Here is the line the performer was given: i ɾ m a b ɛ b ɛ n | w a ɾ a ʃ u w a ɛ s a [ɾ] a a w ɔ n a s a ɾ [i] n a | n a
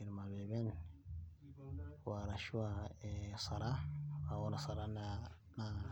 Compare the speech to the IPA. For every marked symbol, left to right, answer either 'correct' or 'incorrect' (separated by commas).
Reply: correct, incorrect